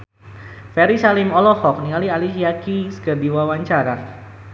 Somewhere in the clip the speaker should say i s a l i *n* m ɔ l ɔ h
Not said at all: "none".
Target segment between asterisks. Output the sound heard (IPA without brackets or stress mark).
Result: none